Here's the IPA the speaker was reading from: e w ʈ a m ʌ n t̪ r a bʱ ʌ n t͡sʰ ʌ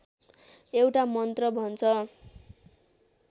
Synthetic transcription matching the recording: e w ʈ a m ʌ n t̪ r ʌ bʱ ʌ n t͡sʰ ʌ